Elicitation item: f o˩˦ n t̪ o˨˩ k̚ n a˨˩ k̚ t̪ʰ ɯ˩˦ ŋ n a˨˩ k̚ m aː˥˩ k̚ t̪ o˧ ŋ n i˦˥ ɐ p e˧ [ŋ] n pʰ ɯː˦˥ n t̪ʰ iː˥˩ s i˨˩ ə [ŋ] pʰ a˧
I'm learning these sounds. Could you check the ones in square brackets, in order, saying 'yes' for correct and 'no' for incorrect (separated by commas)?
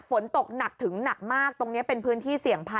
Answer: no, yes